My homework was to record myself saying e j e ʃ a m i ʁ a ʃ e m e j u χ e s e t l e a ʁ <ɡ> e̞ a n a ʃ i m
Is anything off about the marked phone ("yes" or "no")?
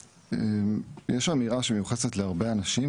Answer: yes